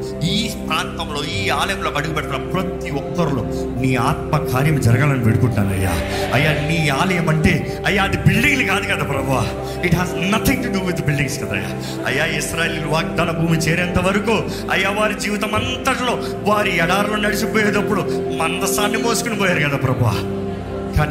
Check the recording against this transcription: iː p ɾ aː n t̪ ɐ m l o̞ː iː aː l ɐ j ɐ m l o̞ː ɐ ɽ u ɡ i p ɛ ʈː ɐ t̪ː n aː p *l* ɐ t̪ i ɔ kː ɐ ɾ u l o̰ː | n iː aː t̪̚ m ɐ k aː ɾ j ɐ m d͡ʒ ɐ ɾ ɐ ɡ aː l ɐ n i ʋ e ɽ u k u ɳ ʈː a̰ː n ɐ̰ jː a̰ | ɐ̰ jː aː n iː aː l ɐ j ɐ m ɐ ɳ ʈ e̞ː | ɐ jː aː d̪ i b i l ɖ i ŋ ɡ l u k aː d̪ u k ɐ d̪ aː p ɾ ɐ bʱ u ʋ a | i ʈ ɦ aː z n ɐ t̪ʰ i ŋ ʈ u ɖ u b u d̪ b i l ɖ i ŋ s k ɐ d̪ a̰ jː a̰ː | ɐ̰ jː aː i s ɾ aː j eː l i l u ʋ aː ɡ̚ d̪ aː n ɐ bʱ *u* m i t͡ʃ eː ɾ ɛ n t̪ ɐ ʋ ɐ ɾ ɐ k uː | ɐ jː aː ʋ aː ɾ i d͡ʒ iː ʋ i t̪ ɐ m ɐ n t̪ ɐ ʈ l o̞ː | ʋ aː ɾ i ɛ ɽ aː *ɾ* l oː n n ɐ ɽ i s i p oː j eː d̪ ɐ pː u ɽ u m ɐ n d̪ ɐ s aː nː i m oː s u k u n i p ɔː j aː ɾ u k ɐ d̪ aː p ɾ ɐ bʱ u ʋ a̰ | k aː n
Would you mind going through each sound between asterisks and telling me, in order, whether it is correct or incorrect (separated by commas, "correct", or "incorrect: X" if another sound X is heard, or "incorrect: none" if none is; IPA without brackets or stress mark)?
incorrect: ɾ, incorrect: uː, correct